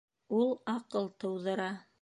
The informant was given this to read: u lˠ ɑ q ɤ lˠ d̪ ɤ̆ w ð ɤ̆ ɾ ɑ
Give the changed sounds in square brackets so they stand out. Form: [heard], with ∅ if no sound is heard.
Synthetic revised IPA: u lˠ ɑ q ɤ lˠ [t̪] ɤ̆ w ð ɤ̆ ɾ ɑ